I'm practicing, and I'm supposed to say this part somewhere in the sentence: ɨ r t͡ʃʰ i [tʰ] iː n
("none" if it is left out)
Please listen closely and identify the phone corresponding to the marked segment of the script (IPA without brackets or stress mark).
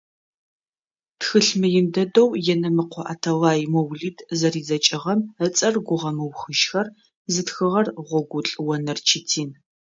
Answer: tʰ